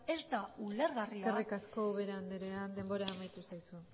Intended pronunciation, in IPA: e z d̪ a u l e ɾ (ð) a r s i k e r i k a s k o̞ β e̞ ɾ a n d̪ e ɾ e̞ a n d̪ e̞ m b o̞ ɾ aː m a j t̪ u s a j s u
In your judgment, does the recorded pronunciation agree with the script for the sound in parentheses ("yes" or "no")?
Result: no